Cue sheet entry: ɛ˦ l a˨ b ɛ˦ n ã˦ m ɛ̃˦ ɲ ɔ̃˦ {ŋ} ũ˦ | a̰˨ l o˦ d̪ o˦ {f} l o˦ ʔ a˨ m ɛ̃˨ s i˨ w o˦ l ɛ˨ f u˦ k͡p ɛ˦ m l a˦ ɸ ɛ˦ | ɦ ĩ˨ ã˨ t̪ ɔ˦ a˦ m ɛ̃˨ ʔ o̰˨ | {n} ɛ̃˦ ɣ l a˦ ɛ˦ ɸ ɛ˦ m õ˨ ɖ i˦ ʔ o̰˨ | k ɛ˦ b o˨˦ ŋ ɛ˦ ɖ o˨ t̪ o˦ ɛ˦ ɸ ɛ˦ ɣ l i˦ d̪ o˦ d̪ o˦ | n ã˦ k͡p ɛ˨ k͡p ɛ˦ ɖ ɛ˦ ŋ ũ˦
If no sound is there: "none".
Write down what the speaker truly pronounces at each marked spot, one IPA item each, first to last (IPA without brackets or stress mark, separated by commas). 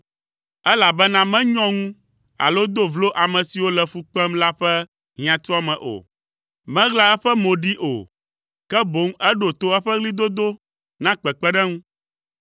ŋ, v, m